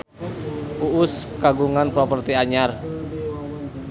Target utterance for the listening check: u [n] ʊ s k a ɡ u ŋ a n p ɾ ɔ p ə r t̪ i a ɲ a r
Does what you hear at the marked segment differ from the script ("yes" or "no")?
yes